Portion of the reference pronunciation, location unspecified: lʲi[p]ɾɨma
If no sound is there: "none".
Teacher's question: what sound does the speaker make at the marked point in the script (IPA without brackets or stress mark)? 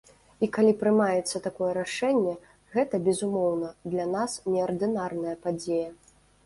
p